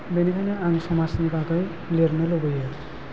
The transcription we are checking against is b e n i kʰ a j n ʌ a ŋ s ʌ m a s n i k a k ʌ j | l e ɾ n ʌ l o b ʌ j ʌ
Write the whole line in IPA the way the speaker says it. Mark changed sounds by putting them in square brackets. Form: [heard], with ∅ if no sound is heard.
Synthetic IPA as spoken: b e n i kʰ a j n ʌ a ŋ s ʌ m a s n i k a k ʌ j | l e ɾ n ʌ l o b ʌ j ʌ